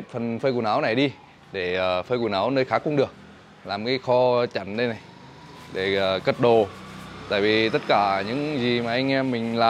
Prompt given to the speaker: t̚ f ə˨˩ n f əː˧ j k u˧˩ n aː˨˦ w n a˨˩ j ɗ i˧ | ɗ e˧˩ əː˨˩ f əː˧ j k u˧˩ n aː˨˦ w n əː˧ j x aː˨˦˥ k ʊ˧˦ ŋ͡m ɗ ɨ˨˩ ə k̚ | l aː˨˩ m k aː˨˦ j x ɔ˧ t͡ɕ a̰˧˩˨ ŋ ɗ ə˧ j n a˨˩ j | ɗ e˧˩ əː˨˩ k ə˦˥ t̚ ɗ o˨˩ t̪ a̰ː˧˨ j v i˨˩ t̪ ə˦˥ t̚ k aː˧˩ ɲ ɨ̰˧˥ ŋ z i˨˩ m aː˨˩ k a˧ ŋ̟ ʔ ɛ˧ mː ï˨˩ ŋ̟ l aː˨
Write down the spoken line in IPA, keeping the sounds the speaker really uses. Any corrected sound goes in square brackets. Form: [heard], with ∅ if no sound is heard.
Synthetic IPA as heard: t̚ f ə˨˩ n f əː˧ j k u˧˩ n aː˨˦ w n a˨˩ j ɗ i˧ | ɗ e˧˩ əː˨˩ f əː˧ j k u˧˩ n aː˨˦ w n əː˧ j x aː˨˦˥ k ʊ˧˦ ŋ͡m ɗ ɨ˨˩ ə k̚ | l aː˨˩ m k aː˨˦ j x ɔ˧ t͡ɕ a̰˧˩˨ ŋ ɗ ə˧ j n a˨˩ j | ɗ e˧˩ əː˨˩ k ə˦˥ t̚ ɗ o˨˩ t̪ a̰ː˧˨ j v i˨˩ t̪ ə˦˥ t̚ k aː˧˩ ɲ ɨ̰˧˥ ŋ z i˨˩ m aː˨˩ [ʔ] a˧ ŋ̟ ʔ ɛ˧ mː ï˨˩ ŋ̟ l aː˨